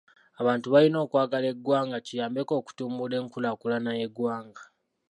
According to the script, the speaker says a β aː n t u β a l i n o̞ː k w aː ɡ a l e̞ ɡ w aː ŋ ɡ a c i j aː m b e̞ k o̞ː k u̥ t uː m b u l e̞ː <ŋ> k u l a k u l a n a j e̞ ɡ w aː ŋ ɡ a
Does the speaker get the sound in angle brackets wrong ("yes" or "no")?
no